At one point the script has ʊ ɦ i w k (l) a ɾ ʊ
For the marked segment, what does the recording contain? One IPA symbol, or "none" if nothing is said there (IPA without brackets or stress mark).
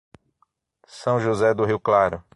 l